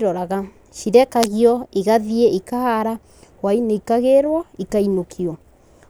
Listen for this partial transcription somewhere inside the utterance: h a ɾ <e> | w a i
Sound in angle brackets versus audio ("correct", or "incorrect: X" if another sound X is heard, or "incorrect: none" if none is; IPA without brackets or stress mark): incorrect: a